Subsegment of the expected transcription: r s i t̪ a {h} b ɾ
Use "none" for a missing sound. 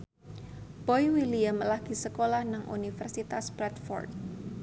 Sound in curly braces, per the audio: s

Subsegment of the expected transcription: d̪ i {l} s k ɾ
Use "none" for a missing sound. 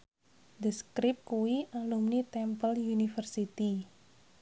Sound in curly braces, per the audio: none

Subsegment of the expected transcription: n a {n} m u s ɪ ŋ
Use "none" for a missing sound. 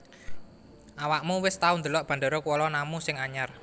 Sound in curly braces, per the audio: none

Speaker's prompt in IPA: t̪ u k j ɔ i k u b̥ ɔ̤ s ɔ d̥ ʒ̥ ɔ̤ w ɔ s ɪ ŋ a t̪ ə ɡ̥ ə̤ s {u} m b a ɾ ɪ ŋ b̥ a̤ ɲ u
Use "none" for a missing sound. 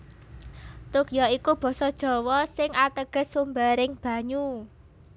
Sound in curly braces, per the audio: u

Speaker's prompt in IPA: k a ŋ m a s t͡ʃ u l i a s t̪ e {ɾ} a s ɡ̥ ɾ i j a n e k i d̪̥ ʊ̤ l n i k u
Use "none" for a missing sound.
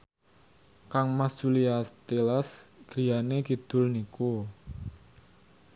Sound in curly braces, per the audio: l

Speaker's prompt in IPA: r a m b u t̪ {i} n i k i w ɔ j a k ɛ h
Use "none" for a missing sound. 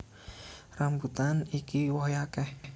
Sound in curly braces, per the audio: a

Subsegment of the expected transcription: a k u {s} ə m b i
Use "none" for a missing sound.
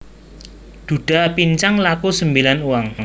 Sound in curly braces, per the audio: s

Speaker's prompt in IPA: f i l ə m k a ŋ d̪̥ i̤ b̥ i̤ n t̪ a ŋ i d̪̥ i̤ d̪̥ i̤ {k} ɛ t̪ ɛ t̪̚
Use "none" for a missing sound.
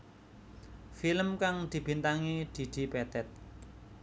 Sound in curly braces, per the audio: p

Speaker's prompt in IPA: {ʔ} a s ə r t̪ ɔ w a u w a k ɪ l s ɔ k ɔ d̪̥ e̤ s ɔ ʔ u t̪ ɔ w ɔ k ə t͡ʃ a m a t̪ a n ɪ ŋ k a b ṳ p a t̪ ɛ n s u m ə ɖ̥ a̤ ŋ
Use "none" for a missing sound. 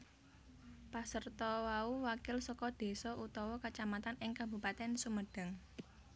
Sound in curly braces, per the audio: p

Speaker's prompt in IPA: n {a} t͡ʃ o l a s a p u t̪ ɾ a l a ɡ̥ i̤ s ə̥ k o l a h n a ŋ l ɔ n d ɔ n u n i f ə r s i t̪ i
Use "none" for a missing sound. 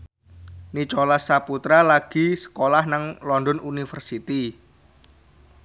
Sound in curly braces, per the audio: i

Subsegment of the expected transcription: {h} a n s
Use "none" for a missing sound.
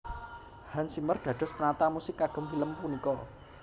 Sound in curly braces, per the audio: h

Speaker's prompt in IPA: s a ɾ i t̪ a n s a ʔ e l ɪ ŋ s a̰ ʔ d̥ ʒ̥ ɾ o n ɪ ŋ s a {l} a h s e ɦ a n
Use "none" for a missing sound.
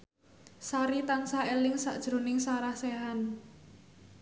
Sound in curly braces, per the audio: ɾ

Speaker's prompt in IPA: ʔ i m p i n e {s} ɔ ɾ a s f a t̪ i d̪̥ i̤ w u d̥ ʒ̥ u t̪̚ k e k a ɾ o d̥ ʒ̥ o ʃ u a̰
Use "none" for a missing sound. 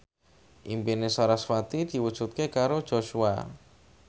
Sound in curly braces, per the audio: s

